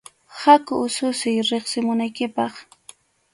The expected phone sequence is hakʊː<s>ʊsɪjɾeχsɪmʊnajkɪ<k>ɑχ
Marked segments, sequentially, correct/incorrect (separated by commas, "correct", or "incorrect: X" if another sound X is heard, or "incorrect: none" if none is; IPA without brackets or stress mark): correct, incorrect: p